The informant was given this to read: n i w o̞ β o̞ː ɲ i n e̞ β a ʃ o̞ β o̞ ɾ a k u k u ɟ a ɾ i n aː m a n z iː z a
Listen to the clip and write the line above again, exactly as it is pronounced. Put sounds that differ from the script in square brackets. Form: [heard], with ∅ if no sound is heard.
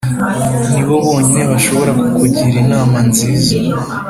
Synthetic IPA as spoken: n i [β] o̞ β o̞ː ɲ i n e̞ β a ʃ o̞ β o̞ ɾ a k u k u ɟ [i] ɾ i n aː m a n z iː z a